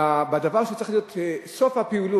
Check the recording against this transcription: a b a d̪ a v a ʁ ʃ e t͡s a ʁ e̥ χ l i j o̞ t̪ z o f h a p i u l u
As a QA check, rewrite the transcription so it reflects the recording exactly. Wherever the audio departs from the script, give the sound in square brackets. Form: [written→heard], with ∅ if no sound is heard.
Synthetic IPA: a b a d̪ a v a ʁ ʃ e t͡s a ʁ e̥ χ l i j o̞ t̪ [z→s] o f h a p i u l u